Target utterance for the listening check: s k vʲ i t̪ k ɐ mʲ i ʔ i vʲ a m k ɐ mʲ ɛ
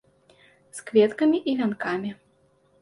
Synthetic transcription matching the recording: s k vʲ ɛ t̪ k ɐ mʲ i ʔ i vʲ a n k a mʲ i